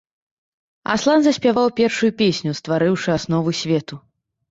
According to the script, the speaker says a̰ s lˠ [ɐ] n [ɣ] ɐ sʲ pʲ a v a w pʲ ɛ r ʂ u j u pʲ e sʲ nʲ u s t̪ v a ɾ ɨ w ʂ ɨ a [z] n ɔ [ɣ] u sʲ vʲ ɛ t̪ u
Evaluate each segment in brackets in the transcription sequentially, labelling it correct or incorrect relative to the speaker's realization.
incorrect: a, incorrect: z, incorrect: s, incorrect: v

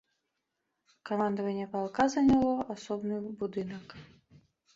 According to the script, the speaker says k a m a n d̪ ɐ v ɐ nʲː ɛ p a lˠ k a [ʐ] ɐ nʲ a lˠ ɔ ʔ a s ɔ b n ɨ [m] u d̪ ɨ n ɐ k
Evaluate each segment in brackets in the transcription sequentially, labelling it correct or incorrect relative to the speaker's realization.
incorrect: z, incorrect: b

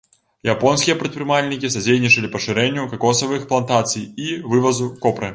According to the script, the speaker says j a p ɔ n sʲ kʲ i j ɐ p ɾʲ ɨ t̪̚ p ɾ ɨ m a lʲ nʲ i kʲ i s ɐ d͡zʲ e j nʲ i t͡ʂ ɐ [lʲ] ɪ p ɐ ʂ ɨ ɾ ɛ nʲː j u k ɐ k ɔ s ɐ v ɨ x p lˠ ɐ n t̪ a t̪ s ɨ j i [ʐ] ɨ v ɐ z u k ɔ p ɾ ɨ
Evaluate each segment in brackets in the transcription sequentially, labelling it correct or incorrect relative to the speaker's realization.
correct, incorrect: v

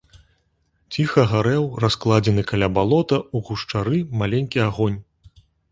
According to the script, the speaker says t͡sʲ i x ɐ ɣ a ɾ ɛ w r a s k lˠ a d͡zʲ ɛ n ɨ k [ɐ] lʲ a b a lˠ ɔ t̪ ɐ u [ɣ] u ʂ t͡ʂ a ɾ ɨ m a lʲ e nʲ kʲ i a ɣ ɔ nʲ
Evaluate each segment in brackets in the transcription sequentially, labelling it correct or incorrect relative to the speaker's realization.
incorrect: a, correct

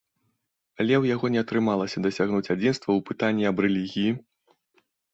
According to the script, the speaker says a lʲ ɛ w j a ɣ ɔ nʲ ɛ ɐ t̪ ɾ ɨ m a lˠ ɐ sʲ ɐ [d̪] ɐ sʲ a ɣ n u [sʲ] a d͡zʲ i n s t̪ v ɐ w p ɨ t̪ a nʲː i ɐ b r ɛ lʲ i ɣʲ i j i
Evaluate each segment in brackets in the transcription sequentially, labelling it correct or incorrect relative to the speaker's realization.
correct, incorrect: t͡sʲ

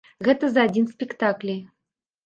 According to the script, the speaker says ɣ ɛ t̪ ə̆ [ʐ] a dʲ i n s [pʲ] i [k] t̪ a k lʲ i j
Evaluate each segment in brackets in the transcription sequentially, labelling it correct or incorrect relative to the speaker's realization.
incorrect: z, correct, correct

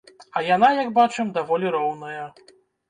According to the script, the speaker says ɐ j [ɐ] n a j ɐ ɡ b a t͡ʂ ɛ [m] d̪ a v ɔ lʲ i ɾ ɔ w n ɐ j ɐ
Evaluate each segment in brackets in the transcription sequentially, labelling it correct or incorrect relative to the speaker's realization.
incorrect: a, correct

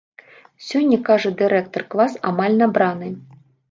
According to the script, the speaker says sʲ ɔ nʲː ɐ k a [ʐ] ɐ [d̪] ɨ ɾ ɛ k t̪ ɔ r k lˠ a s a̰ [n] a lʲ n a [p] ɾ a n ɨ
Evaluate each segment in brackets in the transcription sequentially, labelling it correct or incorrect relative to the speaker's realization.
correct, correct, incorrect: m, incorrect: b

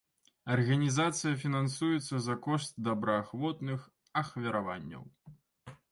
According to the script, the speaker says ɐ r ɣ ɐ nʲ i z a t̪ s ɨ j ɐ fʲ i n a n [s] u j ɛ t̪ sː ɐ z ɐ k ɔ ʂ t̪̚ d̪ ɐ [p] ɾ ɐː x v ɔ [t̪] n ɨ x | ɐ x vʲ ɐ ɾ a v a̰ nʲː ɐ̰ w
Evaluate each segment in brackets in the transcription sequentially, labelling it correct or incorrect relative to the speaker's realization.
correct, incorrect: b, correct

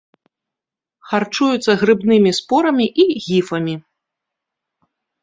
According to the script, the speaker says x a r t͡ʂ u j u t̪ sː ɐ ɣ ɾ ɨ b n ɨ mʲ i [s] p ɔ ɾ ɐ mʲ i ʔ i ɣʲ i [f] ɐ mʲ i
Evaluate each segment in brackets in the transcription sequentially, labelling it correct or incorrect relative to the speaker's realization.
correct, correct

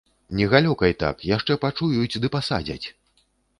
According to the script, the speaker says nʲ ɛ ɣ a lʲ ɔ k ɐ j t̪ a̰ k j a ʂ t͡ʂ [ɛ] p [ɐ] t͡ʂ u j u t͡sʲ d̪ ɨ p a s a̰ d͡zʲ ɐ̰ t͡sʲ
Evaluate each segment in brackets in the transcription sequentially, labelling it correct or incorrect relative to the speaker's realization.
correct, incorrect: a

